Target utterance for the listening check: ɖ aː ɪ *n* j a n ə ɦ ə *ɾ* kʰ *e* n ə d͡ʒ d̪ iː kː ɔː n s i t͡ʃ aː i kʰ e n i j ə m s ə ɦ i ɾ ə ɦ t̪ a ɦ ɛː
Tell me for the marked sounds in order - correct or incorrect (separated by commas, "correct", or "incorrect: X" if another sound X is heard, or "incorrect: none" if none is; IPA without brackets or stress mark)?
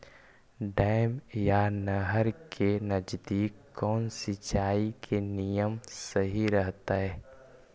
incorrect: m, correct, correct